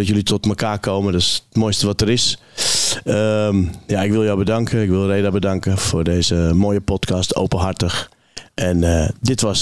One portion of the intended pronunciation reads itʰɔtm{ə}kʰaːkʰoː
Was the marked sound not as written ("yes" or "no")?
no